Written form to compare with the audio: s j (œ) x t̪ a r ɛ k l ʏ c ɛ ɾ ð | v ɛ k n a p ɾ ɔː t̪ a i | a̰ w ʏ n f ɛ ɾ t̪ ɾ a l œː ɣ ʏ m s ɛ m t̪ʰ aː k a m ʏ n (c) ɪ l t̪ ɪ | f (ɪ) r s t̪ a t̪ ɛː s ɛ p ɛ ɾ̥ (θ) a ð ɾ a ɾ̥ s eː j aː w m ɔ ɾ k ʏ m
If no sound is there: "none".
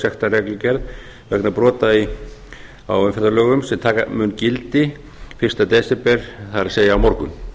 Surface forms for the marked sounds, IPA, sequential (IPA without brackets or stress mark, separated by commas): ɛ, c, ɪ, θ